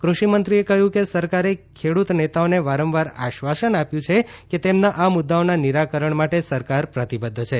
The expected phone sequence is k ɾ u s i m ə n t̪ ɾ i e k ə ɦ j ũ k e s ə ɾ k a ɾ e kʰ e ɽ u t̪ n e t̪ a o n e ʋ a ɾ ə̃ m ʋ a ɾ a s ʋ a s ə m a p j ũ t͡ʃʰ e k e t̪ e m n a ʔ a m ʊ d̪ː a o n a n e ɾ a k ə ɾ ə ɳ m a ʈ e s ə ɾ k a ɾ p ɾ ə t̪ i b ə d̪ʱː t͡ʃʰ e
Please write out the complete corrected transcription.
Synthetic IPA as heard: k ɾ u ʃ i m ə n t̪ ɾ i e k ə ɦ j ũ k e s ə ɾ k a ɾ e kʰ e ɽ u t̪ n e t̪ a o n e ʋ a ɾ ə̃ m ʋ a ɾ a ʃ ʋ a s ə n a p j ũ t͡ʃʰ e k e t̪ e m n a ʔ a m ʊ d̪ː a o n a n i ɾ a k ə ɾ ə ɳ m a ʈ e s ə ɾ k a ɾ p ɾ ə t̪ i b ə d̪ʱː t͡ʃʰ e